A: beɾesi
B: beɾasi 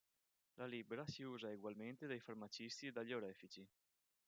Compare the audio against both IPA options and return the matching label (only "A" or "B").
B